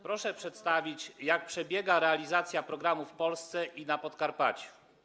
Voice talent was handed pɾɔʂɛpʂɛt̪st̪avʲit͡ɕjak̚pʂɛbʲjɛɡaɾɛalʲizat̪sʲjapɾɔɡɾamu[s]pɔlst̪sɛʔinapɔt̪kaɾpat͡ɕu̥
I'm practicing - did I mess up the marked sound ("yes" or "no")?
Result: yes